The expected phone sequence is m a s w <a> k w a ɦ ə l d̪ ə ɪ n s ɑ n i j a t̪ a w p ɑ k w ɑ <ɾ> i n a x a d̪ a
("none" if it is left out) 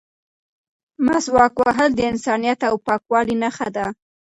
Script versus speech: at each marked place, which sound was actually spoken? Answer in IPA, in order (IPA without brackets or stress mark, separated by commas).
ɑ, l